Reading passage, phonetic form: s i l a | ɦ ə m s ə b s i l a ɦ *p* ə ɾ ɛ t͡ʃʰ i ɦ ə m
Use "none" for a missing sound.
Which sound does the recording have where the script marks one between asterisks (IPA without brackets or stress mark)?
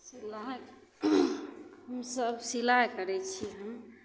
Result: k